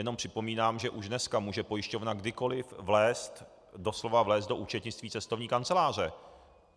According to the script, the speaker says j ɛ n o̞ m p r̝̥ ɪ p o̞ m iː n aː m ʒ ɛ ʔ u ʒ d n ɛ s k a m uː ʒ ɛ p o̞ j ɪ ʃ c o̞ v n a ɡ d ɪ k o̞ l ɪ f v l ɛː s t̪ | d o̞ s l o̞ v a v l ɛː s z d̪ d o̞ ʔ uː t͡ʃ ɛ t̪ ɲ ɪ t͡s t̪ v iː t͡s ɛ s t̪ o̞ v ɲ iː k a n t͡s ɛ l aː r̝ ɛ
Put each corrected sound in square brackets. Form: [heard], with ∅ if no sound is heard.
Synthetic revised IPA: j ɛ n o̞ m p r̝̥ ɪ p o̞ m iː n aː m ʒ ɛ ʔ u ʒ d n ɛ s k a m uː ʒ ɛ p o̞ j ɪ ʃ c o̞ v n a ɡ d ɪ k o̞ l ɪ f v l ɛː s t̪ | d o̞ s l o̞ v a v l ɛː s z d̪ d o̞ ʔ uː t͡ʃ ɛ t̪ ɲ ɪ t͡s t̪ v iː t͡s ɛ s t̪ o̞ v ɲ iː k a n t͡s ɛ l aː r̝ ɛ

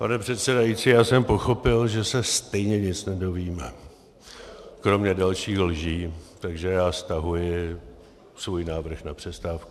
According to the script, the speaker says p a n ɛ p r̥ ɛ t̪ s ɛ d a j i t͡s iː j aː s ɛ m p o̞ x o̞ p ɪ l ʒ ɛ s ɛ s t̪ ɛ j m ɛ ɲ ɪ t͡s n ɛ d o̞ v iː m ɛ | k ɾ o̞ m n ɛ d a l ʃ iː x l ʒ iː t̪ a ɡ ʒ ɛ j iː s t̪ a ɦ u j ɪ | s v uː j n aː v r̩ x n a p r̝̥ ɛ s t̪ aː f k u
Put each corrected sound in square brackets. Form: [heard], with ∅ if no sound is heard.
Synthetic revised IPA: p a n ɛ p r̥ ɛ t̪ s ɛ d a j i t͡s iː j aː s ɛ m p o̞ x o̞ p ɪ l ʒ ɛ s ɛ s t̪ ɛ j [ɲ] ɛ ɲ ɪ t͡s n ɛ d o̞ v iː m ɛ | k ɾ o̞ m [ɲ] ɛ d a l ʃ iː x l ʒ iː t̪ a ɡ ʒ ɛ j [aː] s t̪ a ɦ u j ɪ | s v uː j n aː v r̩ x n a p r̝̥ ɛ s t̪ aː f k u

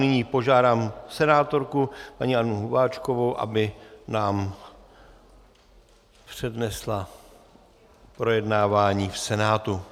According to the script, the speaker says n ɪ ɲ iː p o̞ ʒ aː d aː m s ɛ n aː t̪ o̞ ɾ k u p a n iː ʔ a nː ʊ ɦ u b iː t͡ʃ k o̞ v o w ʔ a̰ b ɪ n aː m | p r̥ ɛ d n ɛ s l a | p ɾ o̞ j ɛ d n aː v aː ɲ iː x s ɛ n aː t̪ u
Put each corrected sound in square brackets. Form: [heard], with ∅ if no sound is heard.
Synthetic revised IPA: n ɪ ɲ iː p o̞ ʒ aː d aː m s ɛ n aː t̪ o̞ ɾ k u p a [ɲ] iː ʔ a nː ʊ ɦ u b [aː] t͡ʃ k o̞ v o w ʔ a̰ b ɪ n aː m | p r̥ ɛ d n ɛ s l a | p ɾ o̞ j ɛ d n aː v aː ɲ iː [f] s ɛ n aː t̪ u

